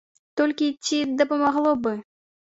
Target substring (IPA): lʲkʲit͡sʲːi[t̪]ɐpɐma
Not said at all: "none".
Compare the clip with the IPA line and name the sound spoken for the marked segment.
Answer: d̪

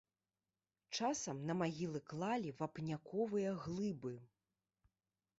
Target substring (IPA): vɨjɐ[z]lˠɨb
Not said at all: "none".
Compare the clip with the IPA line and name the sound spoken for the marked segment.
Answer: ɣ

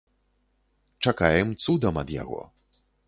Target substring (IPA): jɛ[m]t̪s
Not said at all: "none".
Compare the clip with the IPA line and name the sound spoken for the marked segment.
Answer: m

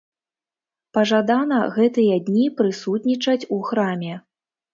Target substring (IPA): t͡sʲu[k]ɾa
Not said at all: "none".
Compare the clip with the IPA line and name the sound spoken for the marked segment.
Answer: x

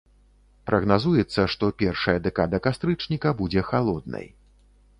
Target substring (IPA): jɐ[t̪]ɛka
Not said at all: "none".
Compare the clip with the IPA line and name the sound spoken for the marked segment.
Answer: d̪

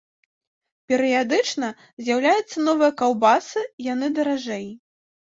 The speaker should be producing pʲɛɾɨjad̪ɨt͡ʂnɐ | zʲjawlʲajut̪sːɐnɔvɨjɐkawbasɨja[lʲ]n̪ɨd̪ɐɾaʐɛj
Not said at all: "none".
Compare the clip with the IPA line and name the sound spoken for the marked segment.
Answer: none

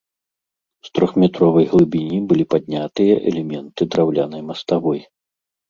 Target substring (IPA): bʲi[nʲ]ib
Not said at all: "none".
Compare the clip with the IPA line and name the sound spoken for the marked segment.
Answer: nʲ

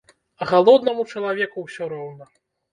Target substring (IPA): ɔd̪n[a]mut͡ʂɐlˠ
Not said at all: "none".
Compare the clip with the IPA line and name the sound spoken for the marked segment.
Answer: ɐ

